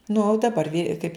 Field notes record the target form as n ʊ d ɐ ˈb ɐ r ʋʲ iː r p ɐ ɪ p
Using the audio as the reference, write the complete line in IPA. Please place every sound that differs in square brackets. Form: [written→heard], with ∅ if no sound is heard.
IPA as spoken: n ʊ d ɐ ˈb ɐ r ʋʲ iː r [p→k] ɐ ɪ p